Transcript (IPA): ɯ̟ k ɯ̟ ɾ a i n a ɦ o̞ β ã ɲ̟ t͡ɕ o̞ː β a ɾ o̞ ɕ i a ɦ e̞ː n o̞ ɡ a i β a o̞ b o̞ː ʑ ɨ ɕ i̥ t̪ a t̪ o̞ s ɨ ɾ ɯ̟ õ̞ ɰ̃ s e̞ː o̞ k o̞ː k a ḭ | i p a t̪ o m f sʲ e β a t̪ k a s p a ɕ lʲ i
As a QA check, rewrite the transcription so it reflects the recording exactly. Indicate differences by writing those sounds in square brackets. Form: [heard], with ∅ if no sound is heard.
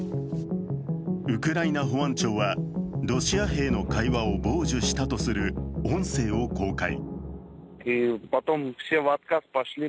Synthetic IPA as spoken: ɯ̟ k ɯ̟ ɾ a i n a ɦ o̞ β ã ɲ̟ t͡ɕ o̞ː β a ɾ o̞ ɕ i a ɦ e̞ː n o̞ [k] a i β a o̞ b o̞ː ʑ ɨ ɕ i̥ t̪ a t̪ o̞ s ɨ ɾ ɯ̟ õ̞ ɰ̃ s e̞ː o̞ k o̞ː k a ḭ | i p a t̪ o m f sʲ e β a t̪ k a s p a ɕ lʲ i